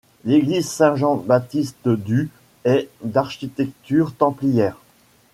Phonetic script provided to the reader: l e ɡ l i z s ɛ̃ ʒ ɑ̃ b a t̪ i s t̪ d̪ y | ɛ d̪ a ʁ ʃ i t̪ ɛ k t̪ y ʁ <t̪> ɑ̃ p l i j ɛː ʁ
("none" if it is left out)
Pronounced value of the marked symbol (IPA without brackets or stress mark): t̪